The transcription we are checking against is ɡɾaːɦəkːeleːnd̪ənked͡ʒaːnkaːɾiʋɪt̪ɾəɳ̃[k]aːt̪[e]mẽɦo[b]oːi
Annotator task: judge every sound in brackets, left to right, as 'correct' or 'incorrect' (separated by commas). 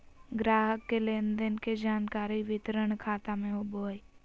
incorrect, incorrect, correct